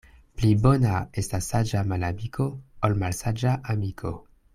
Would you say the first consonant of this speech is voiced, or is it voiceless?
voiceless